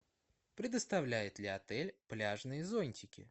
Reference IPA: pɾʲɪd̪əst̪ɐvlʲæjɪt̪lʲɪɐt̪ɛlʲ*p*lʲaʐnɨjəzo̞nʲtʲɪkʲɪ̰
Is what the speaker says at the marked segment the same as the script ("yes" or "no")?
yes